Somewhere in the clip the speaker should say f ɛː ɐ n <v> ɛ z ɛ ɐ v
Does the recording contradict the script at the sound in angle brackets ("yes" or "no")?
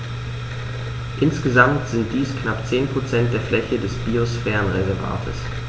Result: yes